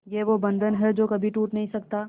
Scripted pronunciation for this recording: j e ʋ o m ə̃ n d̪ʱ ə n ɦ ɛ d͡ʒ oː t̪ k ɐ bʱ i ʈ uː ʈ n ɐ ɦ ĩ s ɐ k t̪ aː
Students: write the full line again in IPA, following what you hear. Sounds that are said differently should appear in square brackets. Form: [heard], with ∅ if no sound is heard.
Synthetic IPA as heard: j e ʋ o [b] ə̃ n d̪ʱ ə n ɦ ɛ d͡ʒ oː [∅] k ɐ bʱ i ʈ uː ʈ n ɐ ɦ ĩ s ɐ k t̪ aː